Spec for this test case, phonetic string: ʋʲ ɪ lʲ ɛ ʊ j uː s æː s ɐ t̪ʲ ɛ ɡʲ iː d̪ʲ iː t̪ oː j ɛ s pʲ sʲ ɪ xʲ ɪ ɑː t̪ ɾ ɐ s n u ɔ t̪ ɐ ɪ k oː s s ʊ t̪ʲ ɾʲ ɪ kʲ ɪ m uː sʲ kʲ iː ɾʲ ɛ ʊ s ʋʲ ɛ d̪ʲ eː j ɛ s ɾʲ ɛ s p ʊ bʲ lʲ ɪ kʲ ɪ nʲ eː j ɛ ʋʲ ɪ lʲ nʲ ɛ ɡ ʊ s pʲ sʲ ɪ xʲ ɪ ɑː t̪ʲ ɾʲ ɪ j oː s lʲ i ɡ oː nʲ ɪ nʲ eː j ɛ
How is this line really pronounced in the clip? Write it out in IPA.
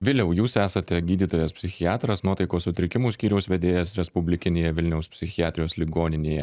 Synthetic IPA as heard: ʋʲ ɪ lʲ ɛ ʊ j uː s æː s ɐ t̪ʲ ɛ ɡʲ iː d̪ʲ iː t̪ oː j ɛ s pʲ sʲ ɪ xʲ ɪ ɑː t̪ ɾ ɐ s n u ɔ t̪ ɐ ɪ k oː s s ʊ t̪ʲ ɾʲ ɪ kʲ ɪ m uː sʲ kʲ iː ɾʲ ɛ ʊ s ʋʲ ɛ d̪ʲ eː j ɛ s ɾʲ ɛ s p ʊ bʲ lʲ ɪ kʲ ɪ nʲ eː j ɛ ʋʲ ɪ lʲ nʲ ɛ ʊ s pʲ sʲ ɪ xʲ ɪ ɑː t̪ʲ ɾʲ ɪ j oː s lʲ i ɡ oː nʲ ɪ nʲ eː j ɛ